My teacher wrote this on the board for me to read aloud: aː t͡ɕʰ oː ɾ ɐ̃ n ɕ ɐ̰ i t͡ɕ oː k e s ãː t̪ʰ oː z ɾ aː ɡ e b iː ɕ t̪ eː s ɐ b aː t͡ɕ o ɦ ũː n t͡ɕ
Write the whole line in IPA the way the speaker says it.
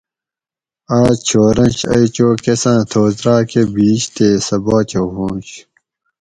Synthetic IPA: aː t͡ɕʰ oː ɾ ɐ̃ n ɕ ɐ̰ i t͡ɕ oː k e s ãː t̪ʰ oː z ɾ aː k e b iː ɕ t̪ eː s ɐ b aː t͡ɕ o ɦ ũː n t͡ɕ

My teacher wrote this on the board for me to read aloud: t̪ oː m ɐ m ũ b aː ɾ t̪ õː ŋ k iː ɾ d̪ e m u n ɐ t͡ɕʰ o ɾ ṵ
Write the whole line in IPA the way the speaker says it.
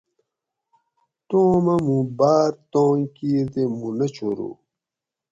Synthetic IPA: t̪ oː m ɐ m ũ b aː ɾ t̪ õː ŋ k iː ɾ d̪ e m u n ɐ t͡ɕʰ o ɾ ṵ

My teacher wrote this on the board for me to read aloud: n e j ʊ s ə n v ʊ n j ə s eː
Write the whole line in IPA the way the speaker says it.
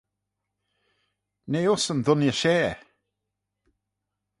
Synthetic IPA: n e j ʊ s ə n ð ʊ n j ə ʃ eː

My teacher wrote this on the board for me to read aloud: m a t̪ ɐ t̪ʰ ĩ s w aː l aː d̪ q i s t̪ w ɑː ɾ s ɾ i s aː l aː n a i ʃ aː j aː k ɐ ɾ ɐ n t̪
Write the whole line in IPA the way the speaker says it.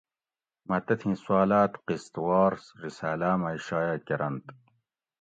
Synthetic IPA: m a t̪ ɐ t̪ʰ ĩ s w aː l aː t̪ q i s t̪ w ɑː ɾ s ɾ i s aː l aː m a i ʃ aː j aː k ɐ ɾ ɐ n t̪

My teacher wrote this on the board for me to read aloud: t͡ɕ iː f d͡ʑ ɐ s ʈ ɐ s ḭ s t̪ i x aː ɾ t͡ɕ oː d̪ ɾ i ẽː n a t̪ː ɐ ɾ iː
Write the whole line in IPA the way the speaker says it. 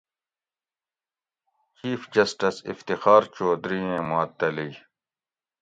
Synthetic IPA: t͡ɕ iː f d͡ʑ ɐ s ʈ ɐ s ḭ f t̪ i x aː ɾ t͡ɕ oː d̪ ɾ i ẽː m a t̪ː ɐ l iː

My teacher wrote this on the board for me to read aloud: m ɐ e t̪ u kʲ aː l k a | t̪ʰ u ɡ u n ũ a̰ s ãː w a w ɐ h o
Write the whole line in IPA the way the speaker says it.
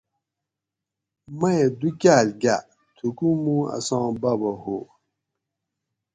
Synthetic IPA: m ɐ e d̪ u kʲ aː l ɡ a | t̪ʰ u k u m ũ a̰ s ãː b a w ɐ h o

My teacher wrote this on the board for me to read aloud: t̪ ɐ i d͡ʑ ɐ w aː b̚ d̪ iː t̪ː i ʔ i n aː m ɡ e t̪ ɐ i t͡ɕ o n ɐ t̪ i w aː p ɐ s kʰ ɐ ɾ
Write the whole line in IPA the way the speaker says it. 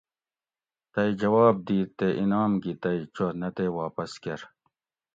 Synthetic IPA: t̪ ɐ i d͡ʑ ɐ w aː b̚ d̪ iː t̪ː e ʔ i n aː m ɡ i t̪ ɐ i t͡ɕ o n ɐ t̪ e w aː p ɐ s k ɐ ɾ

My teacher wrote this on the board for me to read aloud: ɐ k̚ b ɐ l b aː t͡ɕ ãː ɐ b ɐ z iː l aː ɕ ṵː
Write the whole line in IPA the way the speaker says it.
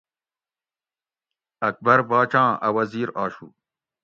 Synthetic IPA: ɐ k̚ b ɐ ɾ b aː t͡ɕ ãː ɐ w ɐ z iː ɾ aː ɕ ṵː

